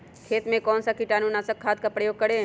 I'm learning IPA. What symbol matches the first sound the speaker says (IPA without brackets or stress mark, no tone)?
kʰ